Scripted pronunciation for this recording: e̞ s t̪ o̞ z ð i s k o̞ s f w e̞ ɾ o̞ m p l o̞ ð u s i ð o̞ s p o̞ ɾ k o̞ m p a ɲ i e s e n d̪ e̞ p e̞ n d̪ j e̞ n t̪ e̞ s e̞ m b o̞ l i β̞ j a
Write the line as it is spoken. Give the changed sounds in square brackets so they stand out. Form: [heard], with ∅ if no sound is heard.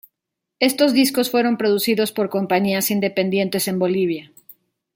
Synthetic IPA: e̞ s t̪ o̞ z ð i s k o̞ s f w e̞ ɾ o̞ m p [ɾ] o̞ ð u s i ð o̞ s p o̞ ɾ k o̞ m p a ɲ i [a] s [i] n d̪ e̞ p e̞ n d̪ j e̞ n t̪ e̞ s e̞ m b o̞ l i β̞ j a